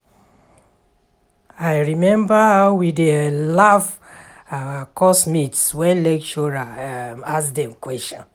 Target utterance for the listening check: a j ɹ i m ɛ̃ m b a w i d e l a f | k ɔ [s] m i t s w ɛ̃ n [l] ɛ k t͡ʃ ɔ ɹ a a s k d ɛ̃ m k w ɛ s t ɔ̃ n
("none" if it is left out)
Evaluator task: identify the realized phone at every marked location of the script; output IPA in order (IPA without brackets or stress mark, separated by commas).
s, l